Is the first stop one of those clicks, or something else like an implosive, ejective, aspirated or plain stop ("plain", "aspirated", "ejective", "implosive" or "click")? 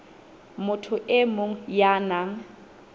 aspirated